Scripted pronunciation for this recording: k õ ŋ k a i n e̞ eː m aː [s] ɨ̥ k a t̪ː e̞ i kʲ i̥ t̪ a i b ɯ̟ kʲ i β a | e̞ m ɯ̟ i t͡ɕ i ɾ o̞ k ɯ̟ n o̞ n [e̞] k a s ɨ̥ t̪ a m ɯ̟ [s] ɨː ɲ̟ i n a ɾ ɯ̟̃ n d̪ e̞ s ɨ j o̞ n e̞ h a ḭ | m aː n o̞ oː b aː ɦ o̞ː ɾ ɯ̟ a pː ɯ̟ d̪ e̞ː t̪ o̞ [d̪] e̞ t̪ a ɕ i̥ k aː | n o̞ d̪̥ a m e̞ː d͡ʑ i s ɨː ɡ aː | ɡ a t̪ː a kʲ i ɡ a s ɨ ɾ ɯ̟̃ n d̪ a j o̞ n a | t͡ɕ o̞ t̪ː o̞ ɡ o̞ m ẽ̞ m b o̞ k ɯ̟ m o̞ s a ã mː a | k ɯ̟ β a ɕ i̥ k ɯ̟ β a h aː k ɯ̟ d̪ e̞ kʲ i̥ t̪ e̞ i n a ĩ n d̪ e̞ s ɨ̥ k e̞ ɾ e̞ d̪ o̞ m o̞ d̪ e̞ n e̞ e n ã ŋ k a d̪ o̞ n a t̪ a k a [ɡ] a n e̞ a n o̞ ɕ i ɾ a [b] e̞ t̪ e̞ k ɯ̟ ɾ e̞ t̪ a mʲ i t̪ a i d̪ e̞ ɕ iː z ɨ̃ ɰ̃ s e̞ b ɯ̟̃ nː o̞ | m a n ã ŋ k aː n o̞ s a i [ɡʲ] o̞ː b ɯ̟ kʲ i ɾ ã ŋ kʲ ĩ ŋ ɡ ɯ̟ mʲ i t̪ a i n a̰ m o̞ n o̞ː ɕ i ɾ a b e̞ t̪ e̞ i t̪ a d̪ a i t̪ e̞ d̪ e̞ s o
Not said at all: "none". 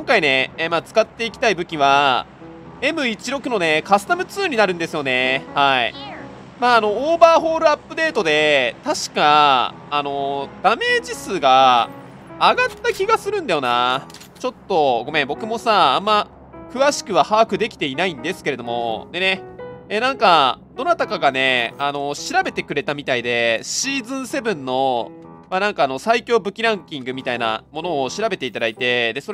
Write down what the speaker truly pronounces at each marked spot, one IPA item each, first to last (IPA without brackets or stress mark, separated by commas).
t͡s, e̞, t͡s, d̪, ɡ, b, kʲ